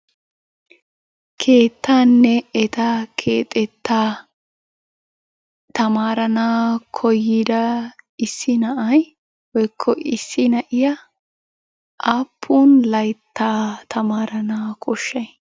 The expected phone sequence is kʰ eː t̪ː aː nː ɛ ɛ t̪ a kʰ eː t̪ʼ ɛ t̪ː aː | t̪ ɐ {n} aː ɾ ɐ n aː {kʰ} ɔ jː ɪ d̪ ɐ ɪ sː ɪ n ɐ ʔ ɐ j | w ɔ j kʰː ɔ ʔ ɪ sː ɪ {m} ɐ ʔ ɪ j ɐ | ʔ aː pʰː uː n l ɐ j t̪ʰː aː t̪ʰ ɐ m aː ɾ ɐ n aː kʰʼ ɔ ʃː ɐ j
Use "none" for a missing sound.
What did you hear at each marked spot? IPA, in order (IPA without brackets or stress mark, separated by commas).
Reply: m, kʰ, n